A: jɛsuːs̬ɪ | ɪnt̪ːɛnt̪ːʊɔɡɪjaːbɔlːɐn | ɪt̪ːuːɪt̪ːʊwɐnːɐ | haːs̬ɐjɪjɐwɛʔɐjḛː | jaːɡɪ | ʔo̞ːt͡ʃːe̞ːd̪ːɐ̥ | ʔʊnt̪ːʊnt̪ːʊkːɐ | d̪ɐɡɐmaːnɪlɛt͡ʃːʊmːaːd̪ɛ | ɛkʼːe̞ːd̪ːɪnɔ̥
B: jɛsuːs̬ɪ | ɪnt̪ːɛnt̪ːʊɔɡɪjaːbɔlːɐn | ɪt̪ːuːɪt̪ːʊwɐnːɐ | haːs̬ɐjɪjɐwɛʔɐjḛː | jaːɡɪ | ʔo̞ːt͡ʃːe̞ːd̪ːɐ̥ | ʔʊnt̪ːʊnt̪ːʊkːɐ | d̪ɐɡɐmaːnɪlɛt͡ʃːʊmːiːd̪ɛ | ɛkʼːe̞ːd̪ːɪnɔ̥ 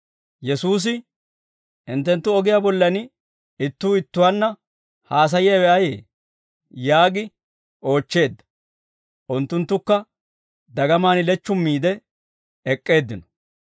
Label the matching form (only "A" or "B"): B